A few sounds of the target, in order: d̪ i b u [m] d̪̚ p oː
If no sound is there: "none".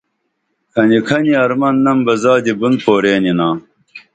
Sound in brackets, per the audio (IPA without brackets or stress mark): n